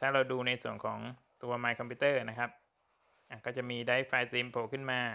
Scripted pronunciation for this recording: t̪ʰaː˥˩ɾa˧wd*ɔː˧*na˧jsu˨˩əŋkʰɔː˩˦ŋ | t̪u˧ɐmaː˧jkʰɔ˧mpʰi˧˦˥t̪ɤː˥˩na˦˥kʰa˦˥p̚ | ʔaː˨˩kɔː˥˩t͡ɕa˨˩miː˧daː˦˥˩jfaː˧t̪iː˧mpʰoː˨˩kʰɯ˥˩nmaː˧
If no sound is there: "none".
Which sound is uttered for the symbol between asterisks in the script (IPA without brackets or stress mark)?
uː˧